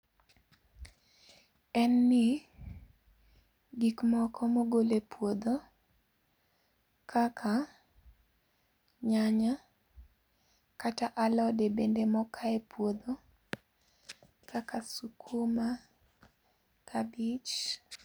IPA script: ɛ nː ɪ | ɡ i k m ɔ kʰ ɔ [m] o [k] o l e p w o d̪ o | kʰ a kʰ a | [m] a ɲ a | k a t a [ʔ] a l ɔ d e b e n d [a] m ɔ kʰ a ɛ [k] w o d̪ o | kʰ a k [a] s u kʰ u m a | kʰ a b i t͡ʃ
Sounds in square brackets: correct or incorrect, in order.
correct, incorrect: ɡ, incorrect: ɲ, correct, incorrect: e, incorrect: p, correct

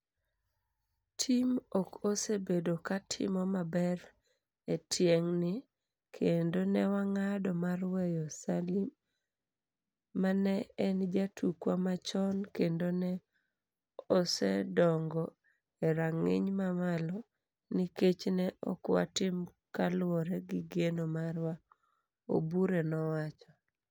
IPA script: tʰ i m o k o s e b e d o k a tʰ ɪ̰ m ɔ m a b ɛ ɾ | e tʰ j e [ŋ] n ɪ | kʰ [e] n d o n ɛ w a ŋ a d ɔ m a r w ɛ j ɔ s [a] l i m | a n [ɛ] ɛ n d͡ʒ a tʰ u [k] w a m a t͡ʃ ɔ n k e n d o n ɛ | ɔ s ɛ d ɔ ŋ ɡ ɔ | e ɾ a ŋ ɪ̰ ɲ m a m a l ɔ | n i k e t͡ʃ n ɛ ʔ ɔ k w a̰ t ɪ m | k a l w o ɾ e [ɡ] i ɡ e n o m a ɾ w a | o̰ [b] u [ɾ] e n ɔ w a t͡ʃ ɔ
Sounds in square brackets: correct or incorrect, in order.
correct, correct, correct, correct, correct, correct, correct, correct

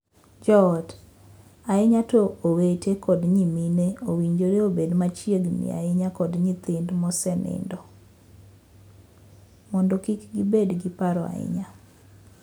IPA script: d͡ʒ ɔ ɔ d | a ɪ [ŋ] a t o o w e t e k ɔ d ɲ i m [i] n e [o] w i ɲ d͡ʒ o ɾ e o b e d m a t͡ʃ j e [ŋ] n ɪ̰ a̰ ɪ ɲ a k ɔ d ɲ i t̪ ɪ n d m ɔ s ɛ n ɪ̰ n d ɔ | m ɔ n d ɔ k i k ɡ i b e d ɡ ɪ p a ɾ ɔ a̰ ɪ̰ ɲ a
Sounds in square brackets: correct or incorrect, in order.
incorrect: ɲ, correct, correct, incorrect: ɡ

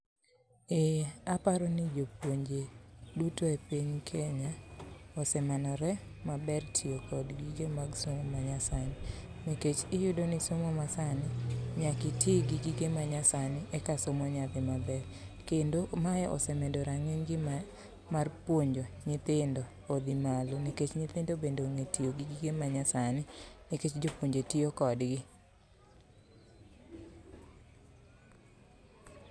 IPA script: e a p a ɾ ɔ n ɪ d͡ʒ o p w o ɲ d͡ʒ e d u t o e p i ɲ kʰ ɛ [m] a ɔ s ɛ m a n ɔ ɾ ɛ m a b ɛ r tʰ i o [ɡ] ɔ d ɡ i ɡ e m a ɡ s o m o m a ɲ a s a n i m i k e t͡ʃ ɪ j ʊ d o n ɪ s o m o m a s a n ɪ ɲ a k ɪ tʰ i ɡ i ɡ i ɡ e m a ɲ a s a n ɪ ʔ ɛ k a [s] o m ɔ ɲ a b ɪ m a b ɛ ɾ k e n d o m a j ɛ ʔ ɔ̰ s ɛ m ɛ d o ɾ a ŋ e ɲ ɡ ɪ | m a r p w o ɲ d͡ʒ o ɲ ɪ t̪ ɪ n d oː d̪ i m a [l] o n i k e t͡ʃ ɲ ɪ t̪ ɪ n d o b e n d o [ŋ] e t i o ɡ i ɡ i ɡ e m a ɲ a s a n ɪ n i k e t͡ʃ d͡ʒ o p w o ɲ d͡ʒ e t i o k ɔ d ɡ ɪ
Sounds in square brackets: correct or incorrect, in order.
incorrect: ɲ, incorrect: k, correct, correct, correct

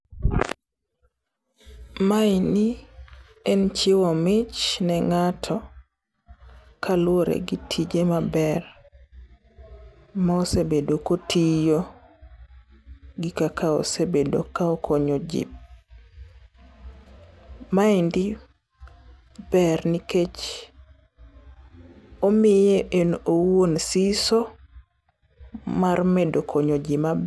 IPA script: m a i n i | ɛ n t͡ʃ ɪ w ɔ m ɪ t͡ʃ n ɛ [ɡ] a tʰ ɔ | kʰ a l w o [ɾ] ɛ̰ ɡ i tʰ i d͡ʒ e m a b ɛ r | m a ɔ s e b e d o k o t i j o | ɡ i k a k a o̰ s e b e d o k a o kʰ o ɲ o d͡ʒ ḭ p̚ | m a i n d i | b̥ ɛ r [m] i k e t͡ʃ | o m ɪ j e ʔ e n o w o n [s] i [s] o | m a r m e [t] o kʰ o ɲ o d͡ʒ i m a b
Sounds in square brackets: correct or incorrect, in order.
incorrect: ŋ, correct, incorrect: n, correct, correct, incorrect: d

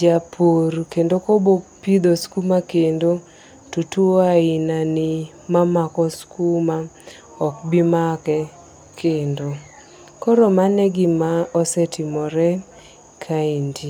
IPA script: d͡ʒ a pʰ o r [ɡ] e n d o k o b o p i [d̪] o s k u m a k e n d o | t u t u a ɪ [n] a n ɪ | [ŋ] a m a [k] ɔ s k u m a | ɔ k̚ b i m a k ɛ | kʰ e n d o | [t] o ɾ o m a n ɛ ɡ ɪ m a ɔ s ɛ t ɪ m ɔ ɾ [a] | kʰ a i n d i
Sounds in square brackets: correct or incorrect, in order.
incorrect: k, correct, correct, incorrect: m, correct, incorrect: k, incorrect: ɛ

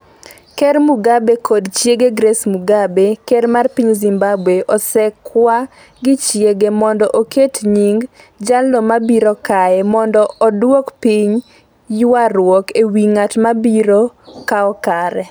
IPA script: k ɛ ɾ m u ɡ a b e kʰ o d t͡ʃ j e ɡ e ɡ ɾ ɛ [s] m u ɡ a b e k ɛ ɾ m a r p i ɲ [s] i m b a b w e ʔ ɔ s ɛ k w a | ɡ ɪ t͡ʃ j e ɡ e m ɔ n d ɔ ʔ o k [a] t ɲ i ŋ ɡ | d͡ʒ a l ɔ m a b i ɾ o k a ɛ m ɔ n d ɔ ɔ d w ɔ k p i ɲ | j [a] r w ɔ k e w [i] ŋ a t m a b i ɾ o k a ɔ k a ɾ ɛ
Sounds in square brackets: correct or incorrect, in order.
correct, incorrect: z, incorrect: e, correct, correct

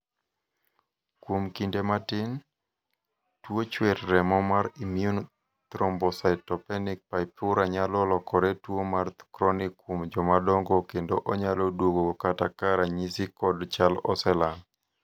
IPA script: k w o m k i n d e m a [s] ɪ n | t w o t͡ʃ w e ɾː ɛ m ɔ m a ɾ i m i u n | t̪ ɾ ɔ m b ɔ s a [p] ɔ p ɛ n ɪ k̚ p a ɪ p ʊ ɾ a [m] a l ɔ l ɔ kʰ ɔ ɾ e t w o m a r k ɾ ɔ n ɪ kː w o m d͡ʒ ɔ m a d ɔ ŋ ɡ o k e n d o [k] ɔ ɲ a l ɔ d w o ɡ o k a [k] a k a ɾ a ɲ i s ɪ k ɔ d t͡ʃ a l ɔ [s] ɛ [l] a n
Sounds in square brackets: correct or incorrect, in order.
incorrect: t, incorrect: t, incorrect: ɲ, incorrect: ʔ, incorrect: t, correct, correct

